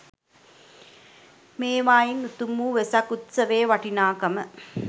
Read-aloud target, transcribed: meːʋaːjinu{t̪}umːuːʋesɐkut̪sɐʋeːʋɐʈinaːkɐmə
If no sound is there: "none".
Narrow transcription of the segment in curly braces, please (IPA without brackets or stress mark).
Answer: t̪